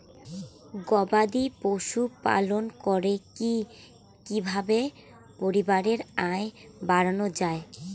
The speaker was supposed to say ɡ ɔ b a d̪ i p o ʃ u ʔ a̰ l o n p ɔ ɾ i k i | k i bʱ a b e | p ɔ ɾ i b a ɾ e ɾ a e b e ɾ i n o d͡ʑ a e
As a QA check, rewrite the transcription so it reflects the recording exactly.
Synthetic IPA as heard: ɡ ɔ b a d̪ i p o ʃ u p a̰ l o n k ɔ ɾ e k i | k i bʱ a b e | p o ɾ i b a ɾ e ɾ a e b a ɾ a n o d͡ʑ a e